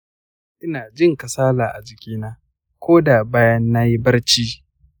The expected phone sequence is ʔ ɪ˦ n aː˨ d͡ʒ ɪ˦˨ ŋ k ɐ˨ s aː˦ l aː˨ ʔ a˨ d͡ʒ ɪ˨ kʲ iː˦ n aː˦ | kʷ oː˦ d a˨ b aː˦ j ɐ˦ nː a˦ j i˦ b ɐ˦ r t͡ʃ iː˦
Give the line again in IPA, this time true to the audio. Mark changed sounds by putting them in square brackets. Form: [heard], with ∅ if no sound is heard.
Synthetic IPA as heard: ʔ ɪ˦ n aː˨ d͡ʒ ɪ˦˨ ŋ k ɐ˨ s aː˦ l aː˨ ʔ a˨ d͡ʒ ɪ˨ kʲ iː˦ n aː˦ | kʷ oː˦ d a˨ b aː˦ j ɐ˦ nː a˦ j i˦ b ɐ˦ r t͡ʃ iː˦